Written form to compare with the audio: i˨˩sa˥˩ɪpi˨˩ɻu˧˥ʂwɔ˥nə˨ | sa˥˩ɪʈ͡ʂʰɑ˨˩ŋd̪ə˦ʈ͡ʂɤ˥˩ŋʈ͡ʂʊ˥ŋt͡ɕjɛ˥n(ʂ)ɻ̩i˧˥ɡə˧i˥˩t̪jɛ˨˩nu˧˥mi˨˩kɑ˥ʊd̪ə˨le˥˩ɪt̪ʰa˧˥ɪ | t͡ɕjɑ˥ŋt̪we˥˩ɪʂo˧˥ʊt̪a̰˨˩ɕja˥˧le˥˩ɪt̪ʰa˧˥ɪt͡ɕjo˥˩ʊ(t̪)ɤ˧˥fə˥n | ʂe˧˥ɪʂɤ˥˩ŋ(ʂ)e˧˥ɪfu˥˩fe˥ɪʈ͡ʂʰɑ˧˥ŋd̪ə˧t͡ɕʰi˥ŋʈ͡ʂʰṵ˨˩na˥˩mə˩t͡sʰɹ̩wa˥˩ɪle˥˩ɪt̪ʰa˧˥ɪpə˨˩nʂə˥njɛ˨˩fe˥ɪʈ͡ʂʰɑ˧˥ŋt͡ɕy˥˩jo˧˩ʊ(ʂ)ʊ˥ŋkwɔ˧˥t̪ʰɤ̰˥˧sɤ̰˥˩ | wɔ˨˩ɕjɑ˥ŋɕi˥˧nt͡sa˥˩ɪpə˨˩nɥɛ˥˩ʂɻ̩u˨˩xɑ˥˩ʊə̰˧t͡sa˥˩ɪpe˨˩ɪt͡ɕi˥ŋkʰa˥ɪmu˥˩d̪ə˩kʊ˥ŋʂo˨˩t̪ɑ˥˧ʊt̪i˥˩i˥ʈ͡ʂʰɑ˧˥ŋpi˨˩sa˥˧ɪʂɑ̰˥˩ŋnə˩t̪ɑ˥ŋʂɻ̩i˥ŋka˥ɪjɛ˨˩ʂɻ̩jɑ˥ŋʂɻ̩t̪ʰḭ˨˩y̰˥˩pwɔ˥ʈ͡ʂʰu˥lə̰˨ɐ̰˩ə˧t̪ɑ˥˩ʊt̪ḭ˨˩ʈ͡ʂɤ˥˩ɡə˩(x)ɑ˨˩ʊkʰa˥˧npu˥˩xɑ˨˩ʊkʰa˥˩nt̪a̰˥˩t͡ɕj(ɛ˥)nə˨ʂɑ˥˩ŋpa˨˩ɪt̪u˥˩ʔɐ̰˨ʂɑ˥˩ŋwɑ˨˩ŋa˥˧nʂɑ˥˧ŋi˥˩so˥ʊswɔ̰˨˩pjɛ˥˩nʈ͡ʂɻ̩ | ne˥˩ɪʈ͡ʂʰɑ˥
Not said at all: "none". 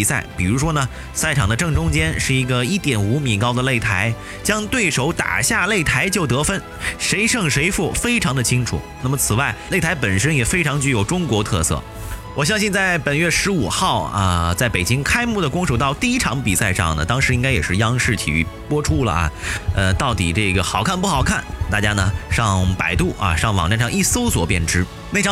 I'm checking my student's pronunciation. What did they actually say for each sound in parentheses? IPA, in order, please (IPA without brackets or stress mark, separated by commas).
ʂ, t̪, ʂ, ʈ͡ʂ, x, a˥